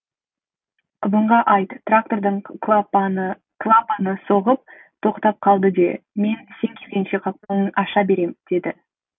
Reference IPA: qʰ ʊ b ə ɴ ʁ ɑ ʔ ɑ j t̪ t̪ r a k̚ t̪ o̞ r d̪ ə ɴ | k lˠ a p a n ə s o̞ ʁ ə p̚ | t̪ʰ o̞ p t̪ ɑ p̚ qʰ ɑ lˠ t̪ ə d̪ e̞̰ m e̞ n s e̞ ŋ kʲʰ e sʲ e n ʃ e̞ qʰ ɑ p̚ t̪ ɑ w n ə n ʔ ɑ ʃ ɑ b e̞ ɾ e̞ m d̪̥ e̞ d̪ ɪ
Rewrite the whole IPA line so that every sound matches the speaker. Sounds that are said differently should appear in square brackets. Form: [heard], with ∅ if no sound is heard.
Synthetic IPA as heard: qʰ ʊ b ə ɴ ʁ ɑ ʔ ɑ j t̪ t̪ r a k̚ t̪ o̞ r d̪ ə ɴ | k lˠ a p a n ə s o̞ ʁ ə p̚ | t̪ʰ o̞ [q] t̪ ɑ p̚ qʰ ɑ lˠ [d̪] ə d̪ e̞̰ m e̞ n s e̞ ŋ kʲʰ e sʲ e n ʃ e̞ qʰ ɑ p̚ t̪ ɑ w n ə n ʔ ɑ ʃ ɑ b e̞ ɾ e̞ m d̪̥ e̞ d̪ ɪ

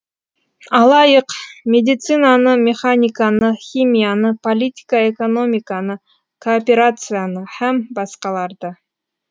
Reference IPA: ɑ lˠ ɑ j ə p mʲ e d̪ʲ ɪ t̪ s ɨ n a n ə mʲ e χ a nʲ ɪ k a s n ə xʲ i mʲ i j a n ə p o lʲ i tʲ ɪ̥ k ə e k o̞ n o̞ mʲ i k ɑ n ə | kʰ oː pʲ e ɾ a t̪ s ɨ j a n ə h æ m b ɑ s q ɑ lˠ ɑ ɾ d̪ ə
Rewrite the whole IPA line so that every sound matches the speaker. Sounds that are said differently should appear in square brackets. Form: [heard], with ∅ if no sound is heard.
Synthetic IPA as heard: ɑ lˠ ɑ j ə [q] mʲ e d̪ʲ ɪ t̪ s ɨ n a n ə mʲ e χ a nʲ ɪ k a [∅] n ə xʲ i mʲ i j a n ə p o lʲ i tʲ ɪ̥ k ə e k o̞ n o̞ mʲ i k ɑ n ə | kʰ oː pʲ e ɾ a t̪ s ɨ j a n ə h æ m b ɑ s q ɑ lˠ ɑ ɾ d̪ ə

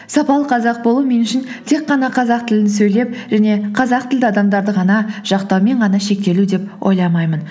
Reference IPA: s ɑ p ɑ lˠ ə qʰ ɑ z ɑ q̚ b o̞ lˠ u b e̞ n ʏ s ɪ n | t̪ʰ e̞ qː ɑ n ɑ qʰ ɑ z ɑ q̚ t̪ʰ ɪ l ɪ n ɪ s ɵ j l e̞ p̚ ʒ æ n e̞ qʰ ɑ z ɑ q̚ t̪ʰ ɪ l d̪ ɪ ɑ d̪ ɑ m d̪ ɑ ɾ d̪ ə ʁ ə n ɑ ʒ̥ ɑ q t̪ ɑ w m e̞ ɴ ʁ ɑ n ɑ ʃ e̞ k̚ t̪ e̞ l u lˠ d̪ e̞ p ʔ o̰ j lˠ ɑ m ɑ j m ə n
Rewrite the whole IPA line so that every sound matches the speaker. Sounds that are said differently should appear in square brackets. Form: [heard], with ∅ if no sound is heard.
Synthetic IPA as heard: s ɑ p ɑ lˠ ə qʰ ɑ z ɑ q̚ b o̞ lˠ u [m] e̞ n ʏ [ʃ] ɪ n | t̪ʰ e̞ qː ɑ n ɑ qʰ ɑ z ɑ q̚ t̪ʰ ɪ l ɪ n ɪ s ɵ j l e̞ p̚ ʒ æ n e̞ qʰ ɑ z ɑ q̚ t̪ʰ ɪ l d̪ ɪ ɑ d̪ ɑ m d̪ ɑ ɾ d̪ ə ʁ [ɑ] n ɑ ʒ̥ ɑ q t̪ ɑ w m e̞ ɴ ʁ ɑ n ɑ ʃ e̞ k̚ t̪ e̞ l u [∅] d̪ e̞ p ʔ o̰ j lˠ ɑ m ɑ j m ə n

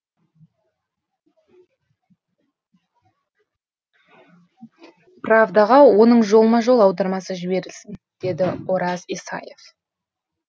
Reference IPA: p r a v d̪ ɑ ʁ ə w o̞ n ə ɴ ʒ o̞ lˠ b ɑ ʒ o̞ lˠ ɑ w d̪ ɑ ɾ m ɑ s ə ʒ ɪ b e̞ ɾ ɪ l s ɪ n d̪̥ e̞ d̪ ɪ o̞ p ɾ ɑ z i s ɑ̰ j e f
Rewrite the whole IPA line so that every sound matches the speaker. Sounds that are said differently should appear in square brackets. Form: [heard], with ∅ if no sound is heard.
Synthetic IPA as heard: p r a v d̪ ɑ ʁ [ɑ] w o̞ n ə ɴ ʒ o̞ lˠ [m] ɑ ʒ o̞ lˠ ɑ w d̪ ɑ ɾ m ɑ s ə ʒ ɪ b e̞ ɾ ɪ l s ɪ n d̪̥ e̞ d̪ ɪ o̞ [∅] ɾ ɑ z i s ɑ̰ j e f

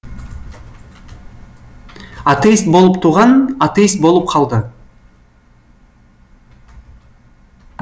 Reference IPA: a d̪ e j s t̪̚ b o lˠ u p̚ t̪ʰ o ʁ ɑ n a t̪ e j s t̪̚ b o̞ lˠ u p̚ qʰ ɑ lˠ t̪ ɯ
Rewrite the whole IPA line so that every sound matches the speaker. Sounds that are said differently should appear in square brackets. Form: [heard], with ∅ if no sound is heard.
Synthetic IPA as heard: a [t̪] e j s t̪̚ b o lˠ u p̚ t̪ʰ [u] ʁ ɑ n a t̪ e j s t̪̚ b o̞ lˠ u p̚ qʰ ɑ lˠ [d̪] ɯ

